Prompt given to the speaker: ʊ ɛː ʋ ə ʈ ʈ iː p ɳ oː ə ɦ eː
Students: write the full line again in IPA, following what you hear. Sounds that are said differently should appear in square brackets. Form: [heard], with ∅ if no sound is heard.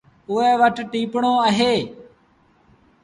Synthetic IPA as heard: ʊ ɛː ʋ ə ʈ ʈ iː p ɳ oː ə ɦ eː